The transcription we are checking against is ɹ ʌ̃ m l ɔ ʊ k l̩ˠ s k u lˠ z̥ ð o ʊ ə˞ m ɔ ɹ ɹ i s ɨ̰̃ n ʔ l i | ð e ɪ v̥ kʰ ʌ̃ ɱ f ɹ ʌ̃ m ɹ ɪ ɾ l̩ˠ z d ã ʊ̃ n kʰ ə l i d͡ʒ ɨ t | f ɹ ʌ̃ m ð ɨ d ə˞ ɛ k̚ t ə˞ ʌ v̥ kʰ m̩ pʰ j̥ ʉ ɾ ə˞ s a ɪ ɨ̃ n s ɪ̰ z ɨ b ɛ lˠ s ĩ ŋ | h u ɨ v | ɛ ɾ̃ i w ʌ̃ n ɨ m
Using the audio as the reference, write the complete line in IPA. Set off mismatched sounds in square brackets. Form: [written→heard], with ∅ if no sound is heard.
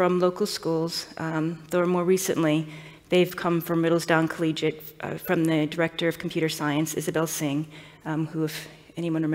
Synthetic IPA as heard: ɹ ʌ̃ m l [ɔ→o] ʊ k l̩ˠ s k u lˠ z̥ ð o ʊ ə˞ m ɔ ɹ ɹ i s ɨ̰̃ n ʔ l i | ð e ɪ v̥ kʰ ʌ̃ ɱ f ɹ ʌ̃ m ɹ ɪ ɾ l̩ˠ z d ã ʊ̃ n kʰ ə l i d͡ʒ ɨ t | f ɹ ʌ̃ m ð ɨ d ə˞ ɛ k̚ t ə˞ ʌ v̥ kʰ m̩ pʰ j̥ ʉ ɾ ə˞ s a ɪ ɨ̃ n s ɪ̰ z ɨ b ɛ lˠ s [ĩ→ɪ̃] ŋ | h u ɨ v | ɛ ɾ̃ i w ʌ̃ n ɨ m